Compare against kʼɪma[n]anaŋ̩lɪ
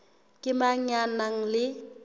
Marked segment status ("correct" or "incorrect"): incorrect